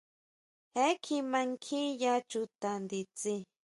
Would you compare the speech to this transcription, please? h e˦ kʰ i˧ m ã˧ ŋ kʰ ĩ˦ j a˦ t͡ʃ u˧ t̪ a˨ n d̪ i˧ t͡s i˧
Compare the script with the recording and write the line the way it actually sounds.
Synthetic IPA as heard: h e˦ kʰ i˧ m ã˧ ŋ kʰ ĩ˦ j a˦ t͡ʃ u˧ t̪ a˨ n d̪ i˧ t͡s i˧